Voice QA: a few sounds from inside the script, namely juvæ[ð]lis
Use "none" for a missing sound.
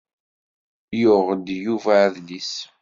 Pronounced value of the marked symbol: ð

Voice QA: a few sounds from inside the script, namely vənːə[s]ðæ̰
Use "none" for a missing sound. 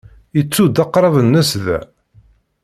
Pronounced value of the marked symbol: s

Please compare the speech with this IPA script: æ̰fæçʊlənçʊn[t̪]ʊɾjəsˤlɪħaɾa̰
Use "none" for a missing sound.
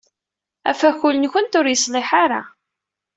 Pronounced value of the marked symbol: t̪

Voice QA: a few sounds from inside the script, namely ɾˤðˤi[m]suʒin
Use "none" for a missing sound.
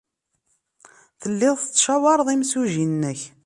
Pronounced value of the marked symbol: m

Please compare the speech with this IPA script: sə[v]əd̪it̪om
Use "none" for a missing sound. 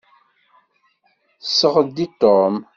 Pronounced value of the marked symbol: ʁ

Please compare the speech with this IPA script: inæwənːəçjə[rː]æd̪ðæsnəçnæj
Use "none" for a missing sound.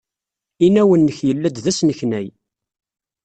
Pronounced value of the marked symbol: lː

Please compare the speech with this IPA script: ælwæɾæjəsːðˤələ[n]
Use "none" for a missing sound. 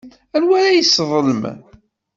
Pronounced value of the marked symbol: m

